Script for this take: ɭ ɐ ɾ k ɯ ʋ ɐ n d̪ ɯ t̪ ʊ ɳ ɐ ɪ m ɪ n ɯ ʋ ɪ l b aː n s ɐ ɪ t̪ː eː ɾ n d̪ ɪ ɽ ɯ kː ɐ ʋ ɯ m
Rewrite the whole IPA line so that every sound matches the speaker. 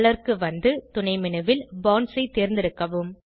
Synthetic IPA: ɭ ɐ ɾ k ɯ ʋ ɐ n d̪ ɯ t̪ ʊ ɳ ɐ ɪ m ɪ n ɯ ʋ ɪ l b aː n s ɐ ɪ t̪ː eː ɾ n d̪ ɪ ɾ ɯ kː ɐ ʋ ɯ m